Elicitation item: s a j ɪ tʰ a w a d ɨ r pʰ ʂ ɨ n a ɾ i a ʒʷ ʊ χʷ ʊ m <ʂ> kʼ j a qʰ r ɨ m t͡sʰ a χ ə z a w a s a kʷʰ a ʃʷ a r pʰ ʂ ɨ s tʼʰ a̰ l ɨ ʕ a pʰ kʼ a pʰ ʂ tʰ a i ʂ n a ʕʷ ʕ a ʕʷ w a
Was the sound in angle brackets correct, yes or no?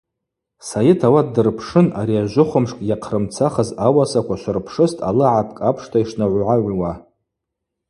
yes